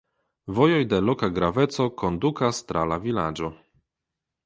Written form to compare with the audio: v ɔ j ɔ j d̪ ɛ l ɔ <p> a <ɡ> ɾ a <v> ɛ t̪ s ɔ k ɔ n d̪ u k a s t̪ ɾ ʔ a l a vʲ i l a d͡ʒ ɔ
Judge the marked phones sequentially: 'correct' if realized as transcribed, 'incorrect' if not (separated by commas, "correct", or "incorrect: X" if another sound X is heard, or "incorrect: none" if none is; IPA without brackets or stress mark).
incorrect: k, correct, correct